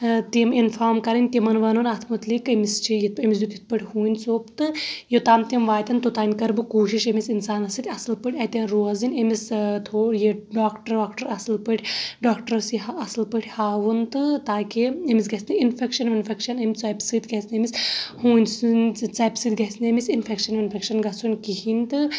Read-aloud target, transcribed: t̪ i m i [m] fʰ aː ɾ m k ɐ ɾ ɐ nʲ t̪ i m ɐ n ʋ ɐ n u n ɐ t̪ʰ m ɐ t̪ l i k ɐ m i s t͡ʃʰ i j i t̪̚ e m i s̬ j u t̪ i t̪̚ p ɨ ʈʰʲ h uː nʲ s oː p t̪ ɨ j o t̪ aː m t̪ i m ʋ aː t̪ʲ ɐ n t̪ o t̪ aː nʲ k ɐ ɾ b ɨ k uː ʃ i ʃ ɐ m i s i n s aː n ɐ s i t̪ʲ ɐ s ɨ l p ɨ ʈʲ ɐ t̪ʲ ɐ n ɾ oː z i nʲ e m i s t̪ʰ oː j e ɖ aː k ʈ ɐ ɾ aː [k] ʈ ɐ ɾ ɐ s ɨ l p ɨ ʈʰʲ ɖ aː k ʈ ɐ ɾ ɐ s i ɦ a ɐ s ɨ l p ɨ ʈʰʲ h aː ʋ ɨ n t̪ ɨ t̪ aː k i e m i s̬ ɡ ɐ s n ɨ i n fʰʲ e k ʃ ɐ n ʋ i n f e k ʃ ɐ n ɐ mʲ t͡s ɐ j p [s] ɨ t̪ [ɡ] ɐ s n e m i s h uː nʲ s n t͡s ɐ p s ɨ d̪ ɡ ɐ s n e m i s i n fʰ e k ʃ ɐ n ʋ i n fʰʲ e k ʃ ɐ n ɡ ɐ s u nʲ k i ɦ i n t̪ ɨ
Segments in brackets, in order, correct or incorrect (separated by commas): incorrect, correct, correct, correct